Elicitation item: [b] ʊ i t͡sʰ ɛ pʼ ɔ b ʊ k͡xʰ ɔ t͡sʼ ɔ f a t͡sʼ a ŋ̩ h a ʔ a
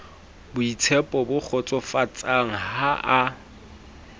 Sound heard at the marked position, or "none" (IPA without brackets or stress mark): b